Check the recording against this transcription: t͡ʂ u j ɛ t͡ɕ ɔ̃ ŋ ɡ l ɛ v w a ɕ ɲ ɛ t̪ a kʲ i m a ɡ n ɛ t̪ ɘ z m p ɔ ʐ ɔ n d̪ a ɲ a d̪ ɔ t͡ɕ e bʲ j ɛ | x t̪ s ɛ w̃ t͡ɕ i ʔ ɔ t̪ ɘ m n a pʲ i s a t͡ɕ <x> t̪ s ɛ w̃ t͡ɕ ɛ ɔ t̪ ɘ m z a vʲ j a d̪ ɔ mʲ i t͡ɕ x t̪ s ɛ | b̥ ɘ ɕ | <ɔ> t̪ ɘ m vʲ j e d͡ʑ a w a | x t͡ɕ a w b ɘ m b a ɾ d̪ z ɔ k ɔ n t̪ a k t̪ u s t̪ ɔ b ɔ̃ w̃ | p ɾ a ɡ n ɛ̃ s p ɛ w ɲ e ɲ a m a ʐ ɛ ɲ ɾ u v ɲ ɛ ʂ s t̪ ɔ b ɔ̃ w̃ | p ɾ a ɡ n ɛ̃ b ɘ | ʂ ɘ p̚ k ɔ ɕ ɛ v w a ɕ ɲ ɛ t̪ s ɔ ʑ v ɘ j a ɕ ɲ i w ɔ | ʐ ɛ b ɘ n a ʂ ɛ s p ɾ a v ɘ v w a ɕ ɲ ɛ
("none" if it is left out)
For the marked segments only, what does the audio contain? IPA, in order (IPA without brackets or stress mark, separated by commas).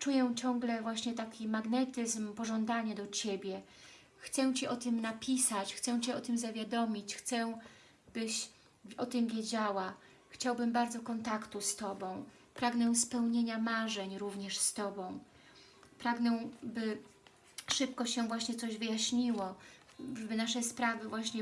x, ɔ